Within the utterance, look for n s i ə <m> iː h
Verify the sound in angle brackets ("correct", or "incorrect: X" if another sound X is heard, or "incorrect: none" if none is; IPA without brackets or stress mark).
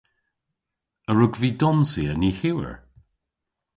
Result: incorrect: n